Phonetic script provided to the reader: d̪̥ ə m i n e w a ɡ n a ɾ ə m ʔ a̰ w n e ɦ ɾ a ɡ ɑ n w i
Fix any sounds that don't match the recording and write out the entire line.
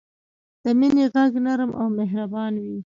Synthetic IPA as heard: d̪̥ ə m i n e ɣ a ɡ n a ɾ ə m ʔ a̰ w m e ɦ ɾ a b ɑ n w i